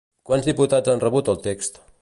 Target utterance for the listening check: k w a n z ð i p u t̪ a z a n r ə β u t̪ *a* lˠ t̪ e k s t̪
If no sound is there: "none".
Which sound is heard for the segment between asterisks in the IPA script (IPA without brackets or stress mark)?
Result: ə